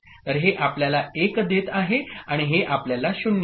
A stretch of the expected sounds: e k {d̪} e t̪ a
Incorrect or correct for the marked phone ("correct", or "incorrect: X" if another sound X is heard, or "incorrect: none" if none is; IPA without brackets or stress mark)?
correct